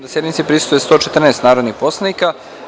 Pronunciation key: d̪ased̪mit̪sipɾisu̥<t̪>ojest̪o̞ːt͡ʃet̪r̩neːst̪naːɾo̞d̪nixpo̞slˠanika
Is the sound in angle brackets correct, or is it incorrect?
correct